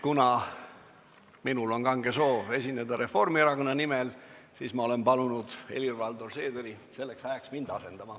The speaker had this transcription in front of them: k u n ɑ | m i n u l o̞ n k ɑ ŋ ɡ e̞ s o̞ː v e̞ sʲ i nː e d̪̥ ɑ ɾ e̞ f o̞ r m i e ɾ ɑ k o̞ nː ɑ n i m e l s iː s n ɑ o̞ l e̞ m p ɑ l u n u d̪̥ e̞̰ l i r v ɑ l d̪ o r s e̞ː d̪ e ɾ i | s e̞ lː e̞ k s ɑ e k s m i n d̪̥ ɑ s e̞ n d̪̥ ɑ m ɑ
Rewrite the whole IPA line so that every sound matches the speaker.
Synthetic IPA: k u n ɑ | m i n u l o̞ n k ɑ ŋ ɡ e̞ s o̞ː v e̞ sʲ i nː e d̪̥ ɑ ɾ e̞ f o̞ r m i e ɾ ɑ k o̞ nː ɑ n i m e l s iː s m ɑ o̞ l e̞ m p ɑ l u n u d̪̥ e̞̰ l i r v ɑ l d̪ o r s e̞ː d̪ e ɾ i | s e̞ lː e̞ k s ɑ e k s m i n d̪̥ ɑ s e̞ n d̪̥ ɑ m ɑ